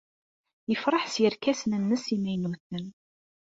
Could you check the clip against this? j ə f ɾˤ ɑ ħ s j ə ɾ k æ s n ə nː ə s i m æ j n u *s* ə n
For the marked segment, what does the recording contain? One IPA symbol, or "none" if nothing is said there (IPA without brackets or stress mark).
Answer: θ